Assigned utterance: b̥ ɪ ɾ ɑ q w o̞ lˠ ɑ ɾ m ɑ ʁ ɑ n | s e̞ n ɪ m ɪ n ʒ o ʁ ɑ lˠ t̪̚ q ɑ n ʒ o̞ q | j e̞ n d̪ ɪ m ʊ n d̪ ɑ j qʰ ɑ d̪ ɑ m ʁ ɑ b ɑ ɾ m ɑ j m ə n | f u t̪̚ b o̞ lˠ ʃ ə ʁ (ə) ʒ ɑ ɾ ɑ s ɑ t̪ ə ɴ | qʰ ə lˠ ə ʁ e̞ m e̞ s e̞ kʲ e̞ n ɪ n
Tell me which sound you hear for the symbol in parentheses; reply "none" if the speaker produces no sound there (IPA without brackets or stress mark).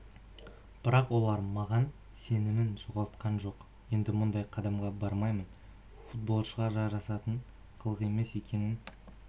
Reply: ɑ